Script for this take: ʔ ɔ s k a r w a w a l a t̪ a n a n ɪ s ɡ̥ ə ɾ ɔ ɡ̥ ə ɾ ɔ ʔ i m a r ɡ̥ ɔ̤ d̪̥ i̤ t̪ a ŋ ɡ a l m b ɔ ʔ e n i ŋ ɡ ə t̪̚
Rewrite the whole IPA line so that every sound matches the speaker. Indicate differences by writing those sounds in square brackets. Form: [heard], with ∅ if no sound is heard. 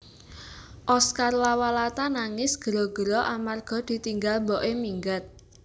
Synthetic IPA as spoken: ʔ ɔ s k a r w a w a l a t̪ a n a [ŋ] ɪ s ɡ̥ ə ɾ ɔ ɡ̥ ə ɾ ɔ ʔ [a] m a r ɡ̥ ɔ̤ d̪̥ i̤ t̪ [i] ŋ ɡ a l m b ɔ ʔ e [m] i ŋ ɡ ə t̪̚